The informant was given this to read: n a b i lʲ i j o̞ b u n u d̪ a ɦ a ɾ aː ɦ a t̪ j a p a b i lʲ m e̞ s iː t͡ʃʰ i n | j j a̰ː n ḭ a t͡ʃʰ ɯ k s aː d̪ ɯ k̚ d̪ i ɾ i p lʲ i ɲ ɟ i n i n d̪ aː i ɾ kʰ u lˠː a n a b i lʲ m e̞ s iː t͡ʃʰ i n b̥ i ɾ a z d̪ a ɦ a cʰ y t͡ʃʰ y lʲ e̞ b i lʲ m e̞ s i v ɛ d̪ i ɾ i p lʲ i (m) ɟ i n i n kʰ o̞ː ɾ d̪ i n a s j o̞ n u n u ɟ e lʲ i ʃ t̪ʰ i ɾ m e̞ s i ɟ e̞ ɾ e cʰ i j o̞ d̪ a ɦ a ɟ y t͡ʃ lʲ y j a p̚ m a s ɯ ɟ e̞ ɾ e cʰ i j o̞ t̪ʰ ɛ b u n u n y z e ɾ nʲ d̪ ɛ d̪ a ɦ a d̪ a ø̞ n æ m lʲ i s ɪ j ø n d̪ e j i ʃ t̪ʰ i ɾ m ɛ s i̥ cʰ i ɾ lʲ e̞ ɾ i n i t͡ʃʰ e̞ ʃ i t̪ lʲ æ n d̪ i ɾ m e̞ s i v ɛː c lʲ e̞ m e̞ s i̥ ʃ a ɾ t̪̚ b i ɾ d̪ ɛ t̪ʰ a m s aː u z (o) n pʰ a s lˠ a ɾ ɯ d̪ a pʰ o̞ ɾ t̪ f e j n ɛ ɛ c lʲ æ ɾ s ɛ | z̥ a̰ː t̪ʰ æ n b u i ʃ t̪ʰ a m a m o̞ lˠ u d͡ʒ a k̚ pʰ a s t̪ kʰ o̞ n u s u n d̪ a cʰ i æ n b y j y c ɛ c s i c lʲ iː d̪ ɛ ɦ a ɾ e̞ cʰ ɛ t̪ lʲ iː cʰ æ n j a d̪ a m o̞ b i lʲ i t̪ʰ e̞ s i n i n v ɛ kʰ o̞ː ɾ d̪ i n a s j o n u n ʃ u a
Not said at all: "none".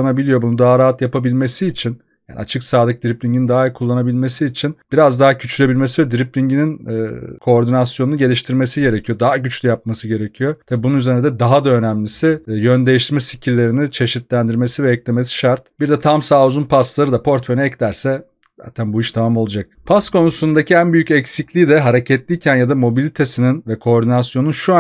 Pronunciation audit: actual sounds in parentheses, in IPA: ɲ, u

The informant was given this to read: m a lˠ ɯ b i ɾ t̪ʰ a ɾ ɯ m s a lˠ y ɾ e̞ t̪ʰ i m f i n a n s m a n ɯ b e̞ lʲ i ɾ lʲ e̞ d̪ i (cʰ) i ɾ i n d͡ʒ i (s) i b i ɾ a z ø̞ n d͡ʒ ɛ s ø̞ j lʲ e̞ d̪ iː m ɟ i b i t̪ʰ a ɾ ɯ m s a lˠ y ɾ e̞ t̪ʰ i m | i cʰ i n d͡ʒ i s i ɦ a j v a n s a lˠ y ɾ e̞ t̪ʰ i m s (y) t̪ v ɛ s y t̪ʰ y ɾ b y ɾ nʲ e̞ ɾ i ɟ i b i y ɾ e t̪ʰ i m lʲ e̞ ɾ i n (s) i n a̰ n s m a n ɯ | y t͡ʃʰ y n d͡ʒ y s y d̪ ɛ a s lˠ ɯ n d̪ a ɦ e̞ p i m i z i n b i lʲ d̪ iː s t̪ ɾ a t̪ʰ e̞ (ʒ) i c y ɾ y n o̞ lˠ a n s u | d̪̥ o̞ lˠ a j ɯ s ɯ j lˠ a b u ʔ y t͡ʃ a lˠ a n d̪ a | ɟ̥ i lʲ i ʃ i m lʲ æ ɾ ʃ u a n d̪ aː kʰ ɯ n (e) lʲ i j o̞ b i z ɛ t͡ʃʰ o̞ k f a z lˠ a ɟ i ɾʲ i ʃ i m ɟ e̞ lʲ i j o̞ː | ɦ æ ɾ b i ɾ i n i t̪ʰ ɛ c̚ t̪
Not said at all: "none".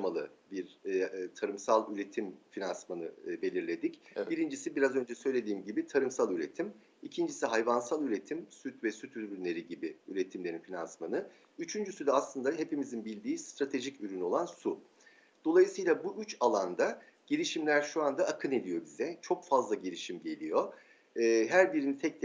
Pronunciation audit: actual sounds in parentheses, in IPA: c, s, y, f, ʒ, e

